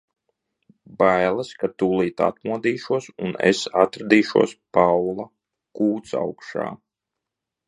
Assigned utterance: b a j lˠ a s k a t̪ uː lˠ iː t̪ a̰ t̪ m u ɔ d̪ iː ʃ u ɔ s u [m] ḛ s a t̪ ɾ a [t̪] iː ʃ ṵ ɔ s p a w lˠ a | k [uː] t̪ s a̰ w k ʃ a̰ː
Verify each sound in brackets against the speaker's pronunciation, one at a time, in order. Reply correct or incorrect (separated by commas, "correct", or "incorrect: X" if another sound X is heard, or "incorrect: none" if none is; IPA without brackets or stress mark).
incorrect: n, incorrect: d̪, correct